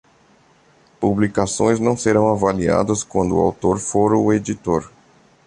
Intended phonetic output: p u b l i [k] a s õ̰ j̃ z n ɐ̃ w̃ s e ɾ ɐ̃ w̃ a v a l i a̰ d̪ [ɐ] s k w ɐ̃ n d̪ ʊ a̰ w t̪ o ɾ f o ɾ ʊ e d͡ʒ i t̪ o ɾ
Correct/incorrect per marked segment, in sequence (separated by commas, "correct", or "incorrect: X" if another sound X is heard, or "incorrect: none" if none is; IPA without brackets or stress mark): correct, correct